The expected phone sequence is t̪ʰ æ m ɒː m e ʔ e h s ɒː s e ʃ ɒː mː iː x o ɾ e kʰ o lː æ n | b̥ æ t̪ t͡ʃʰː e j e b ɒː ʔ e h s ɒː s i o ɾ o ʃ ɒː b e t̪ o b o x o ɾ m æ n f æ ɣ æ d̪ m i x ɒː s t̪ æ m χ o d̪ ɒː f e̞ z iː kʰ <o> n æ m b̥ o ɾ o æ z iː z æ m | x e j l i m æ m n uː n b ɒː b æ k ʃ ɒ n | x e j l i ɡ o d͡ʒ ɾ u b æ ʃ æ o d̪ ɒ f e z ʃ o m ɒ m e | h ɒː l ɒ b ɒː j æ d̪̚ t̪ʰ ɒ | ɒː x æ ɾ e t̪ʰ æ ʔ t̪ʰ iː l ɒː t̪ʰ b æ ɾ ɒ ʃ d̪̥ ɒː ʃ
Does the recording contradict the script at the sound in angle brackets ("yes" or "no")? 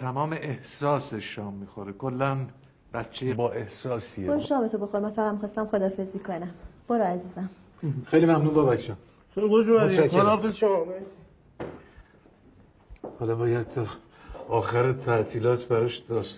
no